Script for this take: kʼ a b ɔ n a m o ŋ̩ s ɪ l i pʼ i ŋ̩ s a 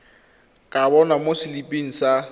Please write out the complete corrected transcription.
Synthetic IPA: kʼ a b ɔ n a m o s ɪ l i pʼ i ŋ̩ s a